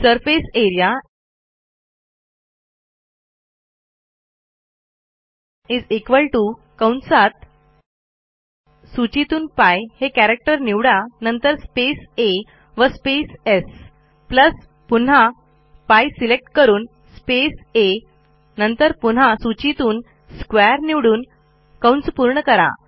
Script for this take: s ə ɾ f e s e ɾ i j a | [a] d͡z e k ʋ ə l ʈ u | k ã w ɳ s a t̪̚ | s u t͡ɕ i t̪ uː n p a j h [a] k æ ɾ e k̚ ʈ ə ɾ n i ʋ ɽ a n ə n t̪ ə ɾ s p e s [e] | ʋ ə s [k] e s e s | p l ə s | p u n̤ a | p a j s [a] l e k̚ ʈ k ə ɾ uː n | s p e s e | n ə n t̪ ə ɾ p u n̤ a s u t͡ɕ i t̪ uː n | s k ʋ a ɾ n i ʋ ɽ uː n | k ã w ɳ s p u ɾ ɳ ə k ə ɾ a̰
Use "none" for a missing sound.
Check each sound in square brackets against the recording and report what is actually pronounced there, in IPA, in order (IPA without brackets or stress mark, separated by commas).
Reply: i, e, e, p, i